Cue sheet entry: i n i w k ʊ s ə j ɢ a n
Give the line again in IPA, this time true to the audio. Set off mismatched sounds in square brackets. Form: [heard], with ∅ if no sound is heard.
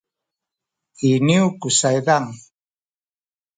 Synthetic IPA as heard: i n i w k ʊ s [a] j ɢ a [ŋ]